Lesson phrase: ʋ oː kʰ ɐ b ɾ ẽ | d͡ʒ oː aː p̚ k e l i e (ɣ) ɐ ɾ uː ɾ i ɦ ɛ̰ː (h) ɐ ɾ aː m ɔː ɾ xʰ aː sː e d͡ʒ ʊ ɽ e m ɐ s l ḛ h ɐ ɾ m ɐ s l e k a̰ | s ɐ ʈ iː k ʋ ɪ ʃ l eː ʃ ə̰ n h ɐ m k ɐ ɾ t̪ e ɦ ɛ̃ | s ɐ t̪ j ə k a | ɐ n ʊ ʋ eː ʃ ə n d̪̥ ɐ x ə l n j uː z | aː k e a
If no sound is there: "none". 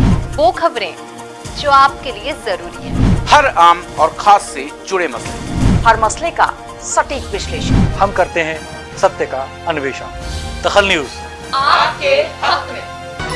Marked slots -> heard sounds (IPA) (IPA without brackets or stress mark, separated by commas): z, h